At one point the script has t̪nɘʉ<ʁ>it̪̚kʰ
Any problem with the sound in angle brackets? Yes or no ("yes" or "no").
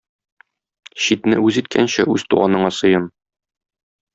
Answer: yes